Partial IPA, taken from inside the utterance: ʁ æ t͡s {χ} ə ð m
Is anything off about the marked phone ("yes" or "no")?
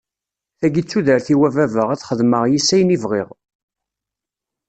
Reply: no